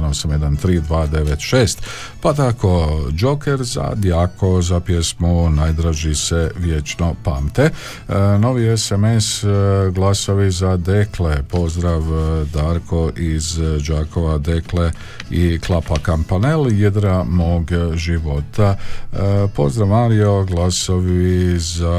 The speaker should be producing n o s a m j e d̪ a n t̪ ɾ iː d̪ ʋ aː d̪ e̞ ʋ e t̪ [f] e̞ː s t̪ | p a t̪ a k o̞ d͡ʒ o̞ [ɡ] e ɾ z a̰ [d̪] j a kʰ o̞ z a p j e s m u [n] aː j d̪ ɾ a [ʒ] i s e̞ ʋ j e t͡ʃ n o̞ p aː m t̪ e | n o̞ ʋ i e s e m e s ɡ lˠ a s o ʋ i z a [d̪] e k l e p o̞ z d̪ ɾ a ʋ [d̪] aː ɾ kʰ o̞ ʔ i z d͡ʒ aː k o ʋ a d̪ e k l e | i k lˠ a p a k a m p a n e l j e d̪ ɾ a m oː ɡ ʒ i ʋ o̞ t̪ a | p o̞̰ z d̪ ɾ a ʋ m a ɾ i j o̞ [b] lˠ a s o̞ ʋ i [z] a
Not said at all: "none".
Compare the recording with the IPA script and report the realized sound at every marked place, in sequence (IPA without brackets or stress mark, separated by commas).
ʃ, k, d̪, n, ʒ, d̪, d̪, ɡ, z